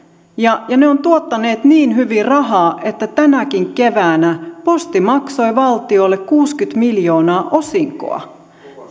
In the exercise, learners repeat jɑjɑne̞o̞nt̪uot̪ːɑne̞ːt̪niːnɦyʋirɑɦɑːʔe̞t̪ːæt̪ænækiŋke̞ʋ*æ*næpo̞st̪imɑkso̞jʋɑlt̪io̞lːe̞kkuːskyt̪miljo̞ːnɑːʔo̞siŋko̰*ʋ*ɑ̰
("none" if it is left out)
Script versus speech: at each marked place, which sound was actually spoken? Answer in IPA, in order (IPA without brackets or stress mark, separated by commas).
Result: æː, none